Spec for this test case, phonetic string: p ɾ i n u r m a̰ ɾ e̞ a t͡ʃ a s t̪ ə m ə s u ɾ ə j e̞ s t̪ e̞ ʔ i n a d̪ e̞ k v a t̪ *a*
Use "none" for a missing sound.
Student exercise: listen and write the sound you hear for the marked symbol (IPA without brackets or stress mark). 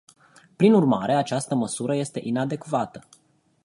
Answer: ə